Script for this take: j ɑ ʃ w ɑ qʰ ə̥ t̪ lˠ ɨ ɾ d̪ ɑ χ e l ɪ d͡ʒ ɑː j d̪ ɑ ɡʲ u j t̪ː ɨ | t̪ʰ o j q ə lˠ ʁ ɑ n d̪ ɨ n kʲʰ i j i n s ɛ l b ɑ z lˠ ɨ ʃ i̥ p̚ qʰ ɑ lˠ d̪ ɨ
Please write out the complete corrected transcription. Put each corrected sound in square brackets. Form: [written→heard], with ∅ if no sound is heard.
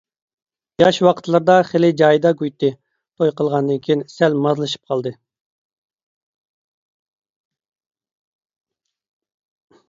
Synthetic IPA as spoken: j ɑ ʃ w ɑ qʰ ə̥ t̪ lˠ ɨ ɾ d̪ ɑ χ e l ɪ d͡ʒ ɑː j d̪ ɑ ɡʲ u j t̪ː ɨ | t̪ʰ o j q ə lˠ ʁ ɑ n d̪ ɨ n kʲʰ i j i n s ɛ l [b→m] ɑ z lˠ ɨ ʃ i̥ p̚ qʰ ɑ lˠ d̪ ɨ